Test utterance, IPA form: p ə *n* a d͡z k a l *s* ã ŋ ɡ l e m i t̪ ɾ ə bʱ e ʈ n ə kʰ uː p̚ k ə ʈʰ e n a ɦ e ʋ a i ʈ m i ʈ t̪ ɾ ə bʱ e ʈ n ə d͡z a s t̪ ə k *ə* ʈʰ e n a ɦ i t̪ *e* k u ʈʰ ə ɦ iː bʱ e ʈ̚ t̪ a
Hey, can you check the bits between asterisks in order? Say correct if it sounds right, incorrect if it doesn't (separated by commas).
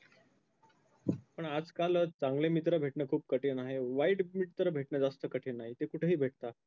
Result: incorrect, incorrect, correct, correct